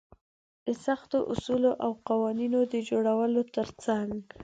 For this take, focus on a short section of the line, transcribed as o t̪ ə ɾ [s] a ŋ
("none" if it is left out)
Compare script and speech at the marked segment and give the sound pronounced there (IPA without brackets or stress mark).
t͡s